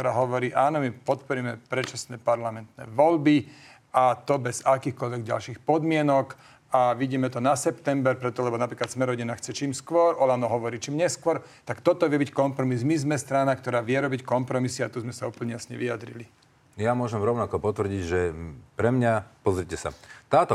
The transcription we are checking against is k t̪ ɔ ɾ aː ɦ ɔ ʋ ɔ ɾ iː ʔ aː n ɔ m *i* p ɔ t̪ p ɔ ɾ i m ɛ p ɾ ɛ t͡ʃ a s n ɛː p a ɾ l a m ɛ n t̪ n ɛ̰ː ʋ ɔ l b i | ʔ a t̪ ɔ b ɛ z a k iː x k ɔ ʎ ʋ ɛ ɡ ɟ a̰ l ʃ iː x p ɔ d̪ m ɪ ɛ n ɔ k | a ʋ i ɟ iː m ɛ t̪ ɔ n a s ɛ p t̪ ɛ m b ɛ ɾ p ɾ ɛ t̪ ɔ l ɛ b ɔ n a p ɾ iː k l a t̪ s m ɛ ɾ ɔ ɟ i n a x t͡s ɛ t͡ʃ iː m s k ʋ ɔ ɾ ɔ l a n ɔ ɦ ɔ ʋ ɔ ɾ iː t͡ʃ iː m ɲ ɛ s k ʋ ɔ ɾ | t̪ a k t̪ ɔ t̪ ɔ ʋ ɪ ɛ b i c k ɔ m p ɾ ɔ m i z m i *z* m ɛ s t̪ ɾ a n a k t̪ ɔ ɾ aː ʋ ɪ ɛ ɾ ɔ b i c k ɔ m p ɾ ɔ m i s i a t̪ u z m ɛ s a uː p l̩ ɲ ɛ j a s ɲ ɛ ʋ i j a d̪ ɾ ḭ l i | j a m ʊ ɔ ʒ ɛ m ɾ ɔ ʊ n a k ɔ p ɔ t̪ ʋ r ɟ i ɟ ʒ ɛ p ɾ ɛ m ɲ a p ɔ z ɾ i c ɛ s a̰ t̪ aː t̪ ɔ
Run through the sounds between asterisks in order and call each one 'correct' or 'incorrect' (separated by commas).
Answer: correct, correct